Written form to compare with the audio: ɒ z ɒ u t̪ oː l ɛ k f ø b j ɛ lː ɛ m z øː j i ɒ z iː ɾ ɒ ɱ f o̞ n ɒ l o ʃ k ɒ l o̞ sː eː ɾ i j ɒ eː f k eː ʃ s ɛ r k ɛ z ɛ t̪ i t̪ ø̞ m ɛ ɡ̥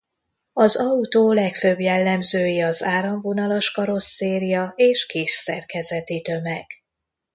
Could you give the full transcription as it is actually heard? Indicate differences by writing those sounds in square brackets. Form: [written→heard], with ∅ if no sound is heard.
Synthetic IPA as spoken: ɒ z ɒ u t̪ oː l ɛ k f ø b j ɛ lː ɛ m z øː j i ɒ z [iː→aː] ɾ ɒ ɱ [f→v] o̞ n ɒ l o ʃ k ɒ [l→ɾ] o̞ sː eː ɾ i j ɒ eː [f→ʃ] k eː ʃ s ɛ r k ɛ z ɛ t̪ i t̪ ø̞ m ɛ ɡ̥